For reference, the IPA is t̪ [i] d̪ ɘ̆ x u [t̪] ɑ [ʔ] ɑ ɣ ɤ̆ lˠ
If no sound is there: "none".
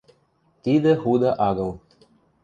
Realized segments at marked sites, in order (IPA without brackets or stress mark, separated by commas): i, d̪, ʔ